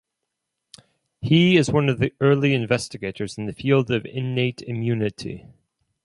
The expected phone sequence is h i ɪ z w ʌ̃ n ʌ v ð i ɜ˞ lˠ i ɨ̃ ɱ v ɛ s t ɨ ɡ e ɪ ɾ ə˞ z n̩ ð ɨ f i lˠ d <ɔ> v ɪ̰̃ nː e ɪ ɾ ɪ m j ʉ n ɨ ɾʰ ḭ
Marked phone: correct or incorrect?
incorrect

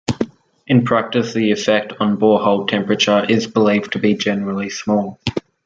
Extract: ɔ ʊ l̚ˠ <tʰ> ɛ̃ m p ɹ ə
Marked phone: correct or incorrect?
correct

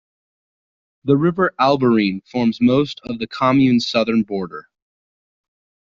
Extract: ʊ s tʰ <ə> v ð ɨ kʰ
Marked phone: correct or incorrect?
incorrect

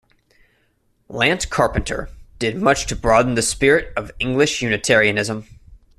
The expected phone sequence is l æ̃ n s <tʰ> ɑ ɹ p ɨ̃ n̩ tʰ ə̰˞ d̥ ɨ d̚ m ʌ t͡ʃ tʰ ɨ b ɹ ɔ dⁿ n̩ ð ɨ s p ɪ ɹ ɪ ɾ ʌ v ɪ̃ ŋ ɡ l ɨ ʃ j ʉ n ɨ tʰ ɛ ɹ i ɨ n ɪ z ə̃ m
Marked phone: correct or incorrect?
incorrect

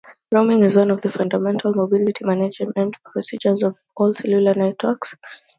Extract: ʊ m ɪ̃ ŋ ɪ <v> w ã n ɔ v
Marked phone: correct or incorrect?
incorrect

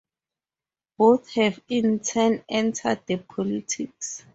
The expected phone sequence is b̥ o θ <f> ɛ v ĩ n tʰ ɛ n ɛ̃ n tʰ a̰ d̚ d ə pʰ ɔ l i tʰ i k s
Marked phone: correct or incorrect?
incorrect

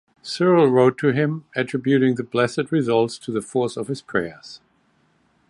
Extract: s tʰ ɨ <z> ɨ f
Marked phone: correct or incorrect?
incorrect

